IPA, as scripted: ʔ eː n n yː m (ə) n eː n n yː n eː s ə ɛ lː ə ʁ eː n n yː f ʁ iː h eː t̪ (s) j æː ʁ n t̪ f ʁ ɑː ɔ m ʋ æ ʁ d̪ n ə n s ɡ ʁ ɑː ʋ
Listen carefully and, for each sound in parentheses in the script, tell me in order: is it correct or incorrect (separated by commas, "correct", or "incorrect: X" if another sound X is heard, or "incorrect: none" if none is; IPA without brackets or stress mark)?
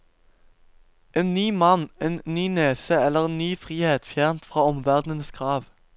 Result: incorrect: ɑ, incorrect: f